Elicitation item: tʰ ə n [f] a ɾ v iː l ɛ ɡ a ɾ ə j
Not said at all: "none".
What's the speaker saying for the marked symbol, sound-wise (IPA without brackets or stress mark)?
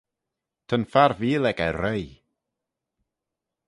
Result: f